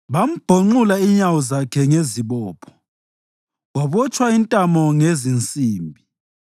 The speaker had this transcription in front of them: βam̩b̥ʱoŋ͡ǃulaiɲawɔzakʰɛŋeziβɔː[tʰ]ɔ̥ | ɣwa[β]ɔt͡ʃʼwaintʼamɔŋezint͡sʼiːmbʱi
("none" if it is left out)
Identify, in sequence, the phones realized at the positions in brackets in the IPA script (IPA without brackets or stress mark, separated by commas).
pʰ, β